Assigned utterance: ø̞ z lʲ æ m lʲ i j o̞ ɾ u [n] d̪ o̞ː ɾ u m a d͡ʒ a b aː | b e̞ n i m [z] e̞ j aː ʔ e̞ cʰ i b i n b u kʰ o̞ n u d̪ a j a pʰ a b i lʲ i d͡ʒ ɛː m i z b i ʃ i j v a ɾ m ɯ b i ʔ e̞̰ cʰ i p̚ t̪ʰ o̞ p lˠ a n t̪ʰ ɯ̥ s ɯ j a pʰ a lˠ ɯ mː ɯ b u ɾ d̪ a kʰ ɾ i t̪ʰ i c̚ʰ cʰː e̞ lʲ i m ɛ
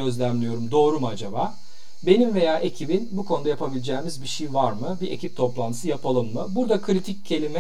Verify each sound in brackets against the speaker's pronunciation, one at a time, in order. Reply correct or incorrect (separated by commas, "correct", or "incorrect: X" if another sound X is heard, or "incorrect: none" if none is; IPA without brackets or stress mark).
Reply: incorrect: m, incorrect: v